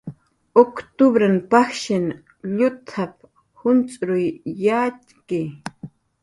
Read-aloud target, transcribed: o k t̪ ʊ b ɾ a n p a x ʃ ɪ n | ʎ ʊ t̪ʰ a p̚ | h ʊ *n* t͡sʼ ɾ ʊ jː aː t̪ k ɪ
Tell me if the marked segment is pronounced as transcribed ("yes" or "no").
yes